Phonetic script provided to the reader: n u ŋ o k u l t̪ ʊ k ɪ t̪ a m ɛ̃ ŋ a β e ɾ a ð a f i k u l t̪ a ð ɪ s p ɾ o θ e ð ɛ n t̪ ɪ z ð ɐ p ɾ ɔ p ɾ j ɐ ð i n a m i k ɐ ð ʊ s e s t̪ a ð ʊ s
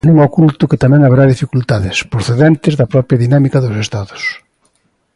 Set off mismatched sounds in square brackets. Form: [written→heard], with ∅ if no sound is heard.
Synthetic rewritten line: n u ŋ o k u l t̪ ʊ k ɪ t̪ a m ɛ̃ ŋ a β e ɾ a ð [a→i] f i k u l t̪ a ð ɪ s p ɾ o θ e ð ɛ n t̪ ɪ z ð ɐ p ɾ ɔ p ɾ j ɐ ð i n a m i k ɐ ð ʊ s e s t̪ a ð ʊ s